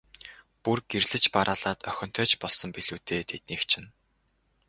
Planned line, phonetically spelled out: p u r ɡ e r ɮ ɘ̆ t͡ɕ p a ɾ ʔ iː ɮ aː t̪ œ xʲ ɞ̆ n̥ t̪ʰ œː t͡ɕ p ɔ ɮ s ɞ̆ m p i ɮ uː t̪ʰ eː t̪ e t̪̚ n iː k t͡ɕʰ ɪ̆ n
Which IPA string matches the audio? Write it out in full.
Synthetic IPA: p u r ɡ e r ɮ ɘ̆ t͡ɕ p a ɾ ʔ aː ɮ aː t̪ œ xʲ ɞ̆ n̥ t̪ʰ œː t͡ɕ p ɔ ɮ s ɞ̆ m p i ɮ uː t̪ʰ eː t̪ʰ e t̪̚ n iː k t͡ɕʰ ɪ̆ n